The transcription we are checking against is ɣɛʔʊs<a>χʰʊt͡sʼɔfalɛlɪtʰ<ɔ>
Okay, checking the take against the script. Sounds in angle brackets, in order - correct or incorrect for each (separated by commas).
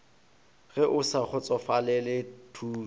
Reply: correct, incorrect